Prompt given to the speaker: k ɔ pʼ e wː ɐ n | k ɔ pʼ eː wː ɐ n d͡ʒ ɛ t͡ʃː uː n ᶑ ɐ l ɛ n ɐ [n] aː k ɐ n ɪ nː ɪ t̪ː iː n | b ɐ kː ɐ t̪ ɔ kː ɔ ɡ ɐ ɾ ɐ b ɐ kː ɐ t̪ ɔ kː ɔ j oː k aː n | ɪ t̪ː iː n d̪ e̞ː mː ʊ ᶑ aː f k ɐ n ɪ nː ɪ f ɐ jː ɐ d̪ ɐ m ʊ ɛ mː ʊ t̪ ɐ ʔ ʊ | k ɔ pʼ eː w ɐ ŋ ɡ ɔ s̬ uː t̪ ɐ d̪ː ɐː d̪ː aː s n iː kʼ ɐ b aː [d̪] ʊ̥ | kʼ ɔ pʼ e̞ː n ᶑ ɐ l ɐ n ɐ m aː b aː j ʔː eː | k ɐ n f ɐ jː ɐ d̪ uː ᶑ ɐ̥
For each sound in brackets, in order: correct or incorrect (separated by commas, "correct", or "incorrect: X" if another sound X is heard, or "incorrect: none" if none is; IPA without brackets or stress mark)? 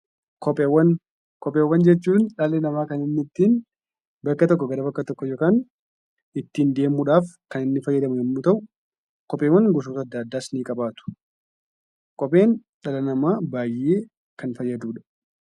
incorrect: m, incorrect: t̪